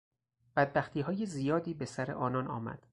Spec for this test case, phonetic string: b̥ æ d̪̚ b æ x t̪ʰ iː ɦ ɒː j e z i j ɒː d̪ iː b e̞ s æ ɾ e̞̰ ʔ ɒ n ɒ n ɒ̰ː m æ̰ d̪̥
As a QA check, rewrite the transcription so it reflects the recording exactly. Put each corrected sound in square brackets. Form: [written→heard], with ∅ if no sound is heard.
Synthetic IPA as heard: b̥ æ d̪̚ b æ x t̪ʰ iː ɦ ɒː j e z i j ɒː d̪ iː b e̞ s æ ɾ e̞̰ ʔ [ɒ→ɒː] n ɒ n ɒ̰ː m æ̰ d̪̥